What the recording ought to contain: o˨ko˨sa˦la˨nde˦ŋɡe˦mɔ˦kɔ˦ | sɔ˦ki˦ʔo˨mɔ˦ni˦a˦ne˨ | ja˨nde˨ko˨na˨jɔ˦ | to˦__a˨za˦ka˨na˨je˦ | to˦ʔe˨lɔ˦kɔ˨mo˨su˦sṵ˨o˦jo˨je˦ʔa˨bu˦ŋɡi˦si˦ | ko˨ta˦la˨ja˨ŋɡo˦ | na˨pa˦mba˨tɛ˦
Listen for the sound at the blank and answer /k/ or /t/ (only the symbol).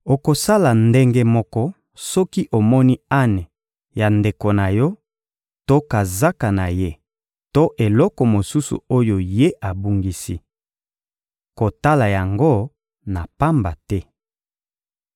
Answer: k